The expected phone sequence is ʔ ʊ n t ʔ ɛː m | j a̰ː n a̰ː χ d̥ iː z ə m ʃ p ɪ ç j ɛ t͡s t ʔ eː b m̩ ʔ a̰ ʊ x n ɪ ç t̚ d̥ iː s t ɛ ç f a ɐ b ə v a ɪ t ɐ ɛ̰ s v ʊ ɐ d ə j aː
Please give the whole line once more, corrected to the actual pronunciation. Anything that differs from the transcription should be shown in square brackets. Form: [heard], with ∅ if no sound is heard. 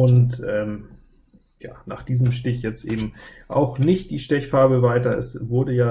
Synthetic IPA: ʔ ʊ n t ʔ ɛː m | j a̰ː n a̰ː χ d̥ iː z ə m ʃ [t] ɪ ç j ɛ t͡s t ʔ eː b m̩ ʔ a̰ ʊ x n ɪ ç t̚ d̥ iː [ʃ] t ɛ ç f a ɐ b ə v a ɪ t ɐ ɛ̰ s v ʊ ɐ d ə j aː